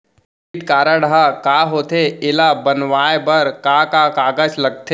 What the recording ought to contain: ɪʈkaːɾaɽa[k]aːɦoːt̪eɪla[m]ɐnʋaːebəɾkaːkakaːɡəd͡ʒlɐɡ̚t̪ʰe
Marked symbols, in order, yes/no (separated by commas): yes, no